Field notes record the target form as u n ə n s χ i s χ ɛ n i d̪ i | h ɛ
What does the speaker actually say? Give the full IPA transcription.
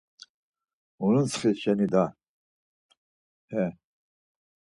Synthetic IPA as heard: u n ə n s χ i s ʃ ɛ n i d̪ a | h ɛ